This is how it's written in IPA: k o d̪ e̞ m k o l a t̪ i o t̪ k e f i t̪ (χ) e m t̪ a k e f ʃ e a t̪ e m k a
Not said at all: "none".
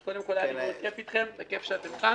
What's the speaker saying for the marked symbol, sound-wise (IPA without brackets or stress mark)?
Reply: χ